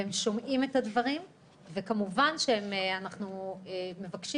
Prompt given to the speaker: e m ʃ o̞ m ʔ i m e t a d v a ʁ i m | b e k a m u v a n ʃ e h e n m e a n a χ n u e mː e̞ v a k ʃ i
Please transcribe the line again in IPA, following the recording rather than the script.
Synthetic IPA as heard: e m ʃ o̞ m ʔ i m e t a d v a ʁ i m | v e k a m u v a n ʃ e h e m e a n a χ n u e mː e̞ v a k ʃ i